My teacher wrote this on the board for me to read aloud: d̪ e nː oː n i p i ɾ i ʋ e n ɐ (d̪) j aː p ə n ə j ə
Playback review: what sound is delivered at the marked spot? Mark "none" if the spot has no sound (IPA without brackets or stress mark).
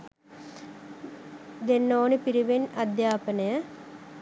d̪